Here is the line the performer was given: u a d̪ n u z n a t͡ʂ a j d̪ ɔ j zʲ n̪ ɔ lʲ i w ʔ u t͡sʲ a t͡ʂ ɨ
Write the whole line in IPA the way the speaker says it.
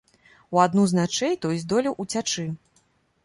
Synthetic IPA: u a d̪ n u z n a t͡ʂ ɛ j t̪ ɔ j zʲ d̪ ɔ lʲ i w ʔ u t͡sʲ a t͡ʂ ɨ